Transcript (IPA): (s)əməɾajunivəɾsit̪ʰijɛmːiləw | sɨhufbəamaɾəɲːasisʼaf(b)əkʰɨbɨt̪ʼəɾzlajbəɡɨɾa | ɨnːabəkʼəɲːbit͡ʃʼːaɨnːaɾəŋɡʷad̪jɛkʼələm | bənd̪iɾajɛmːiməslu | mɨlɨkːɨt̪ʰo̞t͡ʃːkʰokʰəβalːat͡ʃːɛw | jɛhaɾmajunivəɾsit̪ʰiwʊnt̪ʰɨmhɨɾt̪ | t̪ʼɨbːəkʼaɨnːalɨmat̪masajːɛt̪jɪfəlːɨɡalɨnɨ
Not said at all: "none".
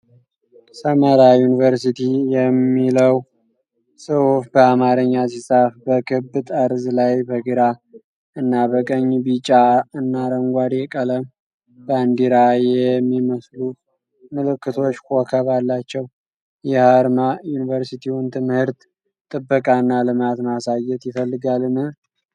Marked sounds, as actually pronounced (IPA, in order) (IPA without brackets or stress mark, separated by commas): s, b